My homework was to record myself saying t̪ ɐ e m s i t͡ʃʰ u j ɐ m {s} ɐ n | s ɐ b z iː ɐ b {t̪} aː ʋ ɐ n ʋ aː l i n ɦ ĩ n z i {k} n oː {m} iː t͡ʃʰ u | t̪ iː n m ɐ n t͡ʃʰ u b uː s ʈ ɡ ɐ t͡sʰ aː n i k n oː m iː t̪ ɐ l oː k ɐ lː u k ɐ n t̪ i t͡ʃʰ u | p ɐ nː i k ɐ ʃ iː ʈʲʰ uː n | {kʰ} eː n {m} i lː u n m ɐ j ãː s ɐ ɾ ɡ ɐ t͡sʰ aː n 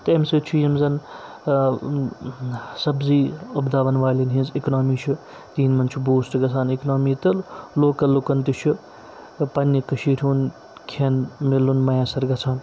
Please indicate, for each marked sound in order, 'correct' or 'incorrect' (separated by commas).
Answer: incorrect, incorrect, correct, correct, correct, correct